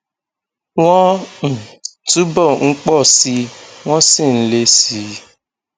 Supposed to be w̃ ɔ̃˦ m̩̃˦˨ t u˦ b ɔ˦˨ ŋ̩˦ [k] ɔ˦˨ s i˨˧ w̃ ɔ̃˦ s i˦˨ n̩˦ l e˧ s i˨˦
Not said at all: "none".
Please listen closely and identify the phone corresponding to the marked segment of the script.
k͡p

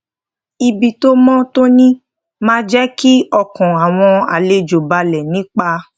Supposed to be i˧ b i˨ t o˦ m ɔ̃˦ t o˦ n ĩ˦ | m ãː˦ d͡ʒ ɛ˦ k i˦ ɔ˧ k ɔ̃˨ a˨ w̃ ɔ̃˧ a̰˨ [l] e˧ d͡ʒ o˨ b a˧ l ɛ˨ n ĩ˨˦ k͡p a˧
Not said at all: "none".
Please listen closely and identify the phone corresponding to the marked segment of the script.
l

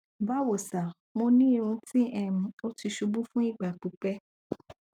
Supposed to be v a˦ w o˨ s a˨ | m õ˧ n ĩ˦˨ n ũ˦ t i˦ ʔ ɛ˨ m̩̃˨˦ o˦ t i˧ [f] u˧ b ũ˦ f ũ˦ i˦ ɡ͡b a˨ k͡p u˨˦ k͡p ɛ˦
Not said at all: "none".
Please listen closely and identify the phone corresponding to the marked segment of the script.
ʃ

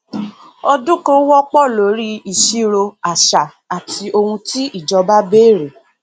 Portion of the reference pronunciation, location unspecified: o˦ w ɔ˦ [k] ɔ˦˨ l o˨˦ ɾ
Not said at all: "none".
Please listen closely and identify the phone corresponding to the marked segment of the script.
k͡p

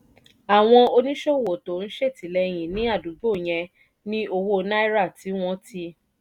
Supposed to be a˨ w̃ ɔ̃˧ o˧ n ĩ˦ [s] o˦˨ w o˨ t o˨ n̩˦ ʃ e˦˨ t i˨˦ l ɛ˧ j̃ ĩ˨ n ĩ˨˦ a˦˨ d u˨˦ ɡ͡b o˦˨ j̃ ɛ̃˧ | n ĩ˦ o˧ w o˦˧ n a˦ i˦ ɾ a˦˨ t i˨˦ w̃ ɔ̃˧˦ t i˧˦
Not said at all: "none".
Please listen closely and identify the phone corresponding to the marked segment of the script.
ʃ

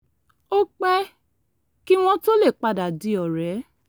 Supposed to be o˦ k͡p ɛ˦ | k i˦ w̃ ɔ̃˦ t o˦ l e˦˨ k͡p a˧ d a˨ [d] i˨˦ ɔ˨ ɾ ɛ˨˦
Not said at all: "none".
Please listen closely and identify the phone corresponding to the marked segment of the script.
d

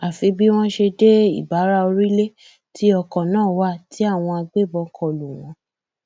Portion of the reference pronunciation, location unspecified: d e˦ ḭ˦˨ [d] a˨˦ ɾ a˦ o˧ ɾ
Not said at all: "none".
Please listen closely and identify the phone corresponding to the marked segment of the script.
b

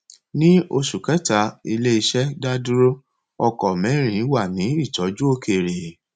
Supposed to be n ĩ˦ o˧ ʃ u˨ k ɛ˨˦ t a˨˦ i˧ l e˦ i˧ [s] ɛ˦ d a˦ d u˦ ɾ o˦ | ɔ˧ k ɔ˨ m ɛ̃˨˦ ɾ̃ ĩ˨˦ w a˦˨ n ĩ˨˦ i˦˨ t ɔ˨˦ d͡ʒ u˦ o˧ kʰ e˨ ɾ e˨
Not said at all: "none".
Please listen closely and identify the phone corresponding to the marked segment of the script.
ʃ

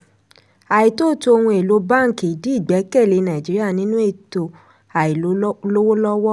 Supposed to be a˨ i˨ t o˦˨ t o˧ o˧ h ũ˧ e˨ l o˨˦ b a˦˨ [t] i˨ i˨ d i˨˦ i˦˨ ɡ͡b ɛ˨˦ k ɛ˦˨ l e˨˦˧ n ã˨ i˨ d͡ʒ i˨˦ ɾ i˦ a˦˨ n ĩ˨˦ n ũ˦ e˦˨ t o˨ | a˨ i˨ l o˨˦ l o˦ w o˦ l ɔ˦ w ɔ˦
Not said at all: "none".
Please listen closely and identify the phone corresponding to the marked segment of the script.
k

